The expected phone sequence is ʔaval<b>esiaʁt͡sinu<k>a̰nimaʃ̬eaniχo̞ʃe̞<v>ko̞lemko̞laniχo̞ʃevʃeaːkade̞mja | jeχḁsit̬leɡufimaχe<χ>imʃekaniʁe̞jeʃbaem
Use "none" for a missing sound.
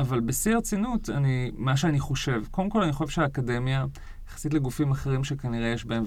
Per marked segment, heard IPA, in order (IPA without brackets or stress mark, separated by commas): b, t, v, ʁ